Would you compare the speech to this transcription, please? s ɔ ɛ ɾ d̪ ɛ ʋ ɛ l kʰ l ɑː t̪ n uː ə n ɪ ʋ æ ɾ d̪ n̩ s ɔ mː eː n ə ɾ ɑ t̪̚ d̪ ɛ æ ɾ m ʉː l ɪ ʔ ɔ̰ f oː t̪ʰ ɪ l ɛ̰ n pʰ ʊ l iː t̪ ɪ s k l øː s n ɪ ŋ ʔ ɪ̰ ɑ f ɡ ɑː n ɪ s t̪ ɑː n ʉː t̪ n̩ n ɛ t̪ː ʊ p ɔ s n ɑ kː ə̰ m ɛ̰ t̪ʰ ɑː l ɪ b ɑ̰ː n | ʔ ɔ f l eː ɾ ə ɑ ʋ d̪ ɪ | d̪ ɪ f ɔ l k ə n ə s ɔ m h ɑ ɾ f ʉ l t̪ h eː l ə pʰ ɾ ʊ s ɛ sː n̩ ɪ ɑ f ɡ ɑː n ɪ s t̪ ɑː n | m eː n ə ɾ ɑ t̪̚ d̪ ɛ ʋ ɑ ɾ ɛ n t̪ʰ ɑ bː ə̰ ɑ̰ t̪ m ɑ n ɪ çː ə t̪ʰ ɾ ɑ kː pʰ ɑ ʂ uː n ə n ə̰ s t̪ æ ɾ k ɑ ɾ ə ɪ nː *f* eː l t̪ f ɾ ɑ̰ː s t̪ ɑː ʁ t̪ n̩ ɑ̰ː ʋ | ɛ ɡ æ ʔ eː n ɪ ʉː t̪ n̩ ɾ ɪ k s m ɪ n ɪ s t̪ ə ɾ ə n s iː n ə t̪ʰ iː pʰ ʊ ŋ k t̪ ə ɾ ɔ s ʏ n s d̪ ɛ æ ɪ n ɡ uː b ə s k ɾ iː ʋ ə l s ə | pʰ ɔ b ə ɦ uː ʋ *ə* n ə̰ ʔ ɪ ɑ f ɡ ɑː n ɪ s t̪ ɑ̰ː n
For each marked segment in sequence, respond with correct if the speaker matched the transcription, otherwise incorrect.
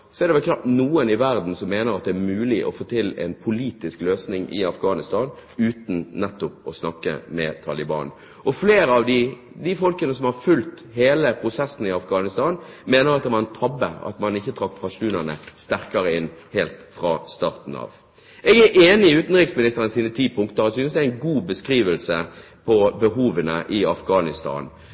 incorrect, correct

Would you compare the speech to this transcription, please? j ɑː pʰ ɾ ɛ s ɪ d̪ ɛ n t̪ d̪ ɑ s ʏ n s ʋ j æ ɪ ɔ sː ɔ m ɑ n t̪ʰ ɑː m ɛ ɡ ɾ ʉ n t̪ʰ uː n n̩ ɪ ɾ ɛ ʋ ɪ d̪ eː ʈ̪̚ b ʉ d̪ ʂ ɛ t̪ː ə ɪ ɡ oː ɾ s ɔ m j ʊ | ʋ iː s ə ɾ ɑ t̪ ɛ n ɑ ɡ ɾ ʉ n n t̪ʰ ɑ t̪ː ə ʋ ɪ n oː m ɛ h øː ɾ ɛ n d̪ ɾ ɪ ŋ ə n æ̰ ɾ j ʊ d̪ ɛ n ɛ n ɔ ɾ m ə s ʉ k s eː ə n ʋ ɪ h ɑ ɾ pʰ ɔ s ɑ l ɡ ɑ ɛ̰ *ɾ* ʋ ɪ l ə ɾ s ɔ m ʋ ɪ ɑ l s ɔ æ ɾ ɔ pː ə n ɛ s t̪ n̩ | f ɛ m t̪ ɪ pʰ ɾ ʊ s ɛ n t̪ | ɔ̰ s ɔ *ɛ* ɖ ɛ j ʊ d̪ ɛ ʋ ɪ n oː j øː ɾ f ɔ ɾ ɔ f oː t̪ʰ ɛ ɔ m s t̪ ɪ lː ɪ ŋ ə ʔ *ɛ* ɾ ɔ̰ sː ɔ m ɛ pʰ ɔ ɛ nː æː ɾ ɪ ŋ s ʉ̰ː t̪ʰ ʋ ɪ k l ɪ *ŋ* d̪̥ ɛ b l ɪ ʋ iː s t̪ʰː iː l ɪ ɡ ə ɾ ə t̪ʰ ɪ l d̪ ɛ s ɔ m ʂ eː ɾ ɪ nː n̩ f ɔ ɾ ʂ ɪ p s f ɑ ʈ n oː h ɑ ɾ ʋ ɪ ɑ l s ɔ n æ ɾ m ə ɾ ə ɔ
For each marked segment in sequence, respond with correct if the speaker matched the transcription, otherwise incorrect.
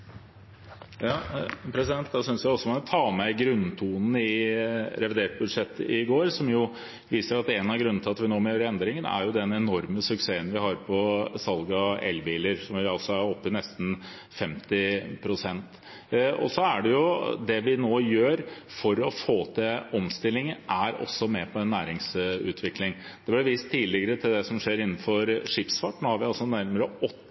incorrect, incorrect, incorrect, correct

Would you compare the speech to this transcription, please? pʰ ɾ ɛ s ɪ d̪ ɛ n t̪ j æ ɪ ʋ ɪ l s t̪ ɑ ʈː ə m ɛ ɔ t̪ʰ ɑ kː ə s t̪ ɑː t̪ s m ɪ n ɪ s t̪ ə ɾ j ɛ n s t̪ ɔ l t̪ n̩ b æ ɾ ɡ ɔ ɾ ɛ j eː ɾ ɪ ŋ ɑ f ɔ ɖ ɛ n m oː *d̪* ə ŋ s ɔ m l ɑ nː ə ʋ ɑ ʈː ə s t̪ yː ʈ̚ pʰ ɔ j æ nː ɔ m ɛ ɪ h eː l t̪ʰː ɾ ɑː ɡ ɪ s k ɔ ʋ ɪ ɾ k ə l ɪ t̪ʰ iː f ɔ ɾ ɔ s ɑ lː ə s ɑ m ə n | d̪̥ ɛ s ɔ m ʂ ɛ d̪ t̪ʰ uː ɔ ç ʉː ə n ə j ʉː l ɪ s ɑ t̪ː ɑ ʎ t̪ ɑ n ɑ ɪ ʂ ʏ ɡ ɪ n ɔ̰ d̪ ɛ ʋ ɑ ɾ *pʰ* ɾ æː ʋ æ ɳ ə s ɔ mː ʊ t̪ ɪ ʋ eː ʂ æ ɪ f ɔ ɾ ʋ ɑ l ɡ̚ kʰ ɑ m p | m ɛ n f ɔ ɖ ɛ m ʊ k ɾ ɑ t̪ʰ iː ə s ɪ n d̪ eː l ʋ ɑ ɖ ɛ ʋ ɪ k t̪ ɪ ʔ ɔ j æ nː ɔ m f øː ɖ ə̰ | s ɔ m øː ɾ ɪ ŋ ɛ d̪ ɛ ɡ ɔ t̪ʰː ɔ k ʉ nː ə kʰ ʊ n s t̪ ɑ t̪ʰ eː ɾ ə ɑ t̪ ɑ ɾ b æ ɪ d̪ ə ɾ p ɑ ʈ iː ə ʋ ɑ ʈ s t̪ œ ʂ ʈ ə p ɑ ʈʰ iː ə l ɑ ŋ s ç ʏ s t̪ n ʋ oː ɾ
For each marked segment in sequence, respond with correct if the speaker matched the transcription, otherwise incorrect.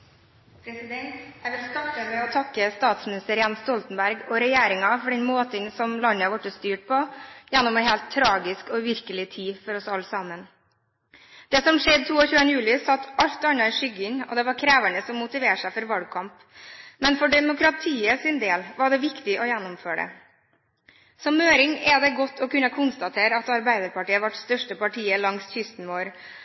incorrect, incorrect

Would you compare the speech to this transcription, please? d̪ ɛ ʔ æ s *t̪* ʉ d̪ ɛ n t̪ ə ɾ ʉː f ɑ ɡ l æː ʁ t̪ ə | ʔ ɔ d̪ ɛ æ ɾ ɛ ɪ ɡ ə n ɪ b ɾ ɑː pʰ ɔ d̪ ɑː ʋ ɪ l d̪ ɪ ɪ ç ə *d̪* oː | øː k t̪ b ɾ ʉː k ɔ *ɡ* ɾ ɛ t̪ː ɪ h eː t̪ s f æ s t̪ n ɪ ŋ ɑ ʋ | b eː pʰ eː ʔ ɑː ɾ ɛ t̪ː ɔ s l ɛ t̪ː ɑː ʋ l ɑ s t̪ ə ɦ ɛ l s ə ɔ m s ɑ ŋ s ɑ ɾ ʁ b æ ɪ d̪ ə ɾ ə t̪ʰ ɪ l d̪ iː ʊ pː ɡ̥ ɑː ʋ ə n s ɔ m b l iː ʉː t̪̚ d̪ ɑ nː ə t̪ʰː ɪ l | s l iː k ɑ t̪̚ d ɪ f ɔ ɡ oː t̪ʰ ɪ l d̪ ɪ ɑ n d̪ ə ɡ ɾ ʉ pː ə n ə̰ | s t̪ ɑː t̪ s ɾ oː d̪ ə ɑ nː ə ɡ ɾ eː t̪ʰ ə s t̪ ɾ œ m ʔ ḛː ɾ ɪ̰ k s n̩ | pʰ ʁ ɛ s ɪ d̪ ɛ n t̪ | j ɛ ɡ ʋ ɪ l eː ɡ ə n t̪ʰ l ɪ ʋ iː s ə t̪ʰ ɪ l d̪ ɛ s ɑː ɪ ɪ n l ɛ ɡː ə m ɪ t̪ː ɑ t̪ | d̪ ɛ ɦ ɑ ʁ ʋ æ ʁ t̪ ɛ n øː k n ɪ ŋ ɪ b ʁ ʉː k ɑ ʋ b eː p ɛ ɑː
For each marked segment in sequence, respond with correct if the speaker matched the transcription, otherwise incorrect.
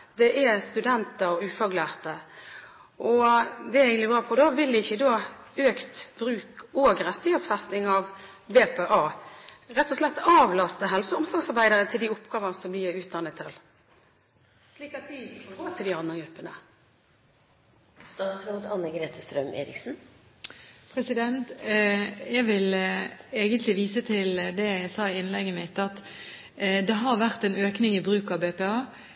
correct, correct, correct

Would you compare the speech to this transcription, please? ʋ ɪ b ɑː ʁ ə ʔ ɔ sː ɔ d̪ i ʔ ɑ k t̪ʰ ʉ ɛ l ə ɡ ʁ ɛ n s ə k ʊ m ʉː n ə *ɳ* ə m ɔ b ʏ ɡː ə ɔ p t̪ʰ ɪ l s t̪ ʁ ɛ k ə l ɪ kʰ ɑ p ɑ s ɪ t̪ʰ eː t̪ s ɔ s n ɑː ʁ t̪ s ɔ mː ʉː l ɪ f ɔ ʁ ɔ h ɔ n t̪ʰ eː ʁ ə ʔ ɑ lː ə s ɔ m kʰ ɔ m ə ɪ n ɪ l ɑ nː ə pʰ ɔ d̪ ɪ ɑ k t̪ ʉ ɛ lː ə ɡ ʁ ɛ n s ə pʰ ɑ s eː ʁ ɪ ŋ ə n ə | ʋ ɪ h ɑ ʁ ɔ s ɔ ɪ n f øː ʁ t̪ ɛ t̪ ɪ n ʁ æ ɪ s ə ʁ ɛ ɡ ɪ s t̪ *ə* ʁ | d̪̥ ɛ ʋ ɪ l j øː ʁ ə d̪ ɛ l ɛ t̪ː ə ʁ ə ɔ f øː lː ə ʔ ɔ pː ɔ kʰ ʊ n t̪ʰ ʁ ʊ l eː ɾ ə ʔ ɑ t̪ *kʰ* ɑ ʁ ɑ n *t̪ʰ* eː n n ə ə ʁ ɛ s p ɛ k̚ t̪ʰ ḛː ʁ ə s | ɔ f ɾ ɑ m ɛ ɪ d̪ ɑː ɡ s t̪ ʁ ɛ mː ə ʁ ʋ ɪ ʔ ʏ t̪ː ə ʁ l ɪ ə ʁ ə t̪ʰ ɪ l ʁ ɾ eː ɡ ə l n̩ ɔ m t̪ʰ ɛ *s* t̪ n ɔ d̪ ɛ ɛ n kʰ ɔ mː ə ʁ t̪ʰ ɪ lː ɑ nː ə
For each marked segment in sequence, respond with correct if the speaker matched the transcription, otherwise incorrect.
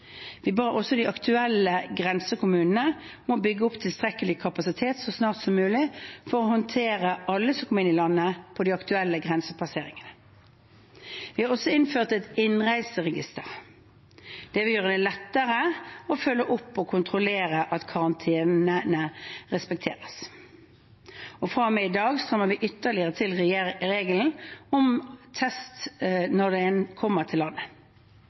incorrect, correct, correct, correct, correct

